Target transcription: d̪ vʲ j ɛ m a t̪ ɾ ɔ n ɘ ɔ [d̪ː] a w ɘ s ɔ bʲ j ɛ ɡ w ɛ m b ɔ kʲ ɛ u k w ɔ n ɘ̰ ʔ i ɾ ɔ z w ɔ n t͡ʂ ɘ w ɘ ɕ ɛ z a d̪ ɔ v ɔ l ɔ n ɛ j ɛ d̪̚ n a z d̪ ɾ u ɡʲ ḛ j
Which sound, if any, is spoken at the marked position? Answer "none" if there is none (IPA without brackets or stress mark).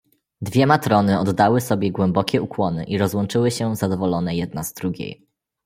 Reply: d̪ː